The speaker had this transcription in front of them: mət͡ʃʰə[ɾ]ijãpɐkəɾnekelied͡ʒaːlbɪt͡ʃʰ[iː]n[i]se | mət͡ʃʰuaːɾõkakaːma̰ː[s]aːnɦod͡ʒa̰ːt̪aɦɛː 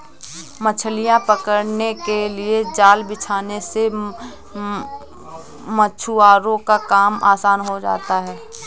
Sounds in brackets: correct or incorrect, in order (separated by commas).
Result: incorrect, incorrect, incorrect, correct